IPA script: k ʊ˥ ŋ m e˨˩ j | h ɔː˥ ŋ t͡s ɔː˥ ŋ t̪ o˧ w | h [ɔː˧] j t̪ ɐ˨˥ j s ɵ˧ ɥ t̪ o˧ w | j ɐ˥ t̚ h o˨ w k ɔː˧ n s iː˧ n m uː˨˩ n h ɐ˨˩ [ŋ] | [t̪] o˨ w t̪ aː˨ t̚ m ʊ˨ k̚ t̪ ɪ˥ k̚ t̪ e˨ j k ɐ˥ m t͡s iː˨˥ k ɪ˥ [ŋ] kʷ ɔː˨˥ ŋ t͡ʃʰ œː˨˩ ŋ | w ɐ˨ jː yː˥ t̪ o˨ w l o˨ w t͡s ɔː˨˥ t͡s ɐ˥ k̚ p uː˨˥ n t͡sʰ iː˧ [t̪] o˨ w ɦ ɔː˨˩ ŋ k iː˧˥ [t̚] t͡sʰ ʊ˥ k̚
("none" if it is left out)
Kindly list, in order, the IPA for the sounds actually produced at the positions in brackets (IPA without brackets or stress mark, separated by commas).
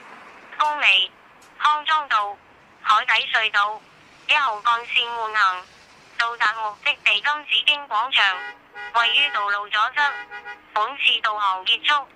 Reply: ɔː˨˥, ŋ, t̪, ŋ, t̪, t̚